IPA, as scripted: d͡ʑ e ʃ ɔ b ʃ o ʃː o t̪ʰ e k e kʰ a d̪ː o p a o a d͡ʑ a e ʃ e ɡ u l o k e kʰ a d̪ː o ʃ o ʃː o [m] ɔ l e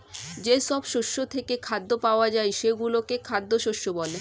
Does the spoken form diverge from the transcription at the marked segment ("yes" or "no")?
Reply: yes